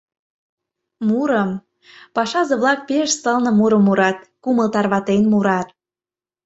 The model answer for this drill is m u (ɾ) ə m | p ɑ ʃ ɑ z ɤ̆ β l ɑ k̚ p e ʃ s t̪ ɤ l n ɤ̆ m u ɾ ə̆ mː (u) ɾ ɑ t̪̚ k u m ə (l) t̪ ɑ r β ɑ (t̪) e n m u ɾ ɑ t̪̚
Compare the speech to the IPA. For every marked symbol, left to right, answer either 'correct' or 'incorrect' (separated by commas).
correct, correct, correct, correct